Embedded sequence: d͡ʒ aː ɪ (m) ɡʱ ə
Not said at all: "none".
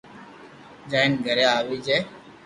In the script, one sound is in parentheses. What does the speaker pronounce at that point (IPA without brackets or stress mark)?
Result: n